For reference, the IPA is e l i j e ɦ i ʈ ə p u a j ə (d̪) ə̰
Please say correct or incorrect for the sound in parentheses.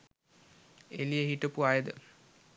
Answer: correct